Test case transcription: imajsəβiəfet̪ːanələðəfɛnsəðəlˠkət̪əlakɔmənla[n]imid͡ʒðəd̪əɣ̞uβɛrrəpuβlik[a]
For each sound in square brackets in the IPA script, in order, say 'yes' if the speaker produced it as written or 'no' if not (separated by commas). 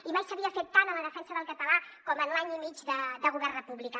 no, yes